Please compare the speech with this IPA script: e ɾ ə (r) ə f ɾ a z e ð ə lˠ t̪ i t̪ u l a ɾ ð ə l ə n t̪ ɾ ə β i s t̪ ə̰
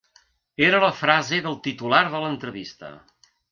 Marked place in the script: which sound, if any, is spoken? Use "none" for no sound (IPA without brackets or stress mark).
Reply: l